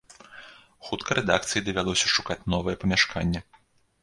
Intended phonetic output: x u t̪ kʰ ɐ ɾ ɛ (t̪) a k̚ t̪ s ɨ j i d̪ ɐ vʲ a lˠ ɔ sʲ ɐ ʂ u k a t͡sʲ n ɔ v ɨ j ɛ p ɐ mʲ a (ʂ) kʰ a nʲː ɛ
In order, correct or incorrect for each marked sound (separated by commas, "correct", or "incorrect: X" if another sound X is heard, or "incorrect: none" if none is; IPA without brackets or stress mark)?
incorrect: d̪, correct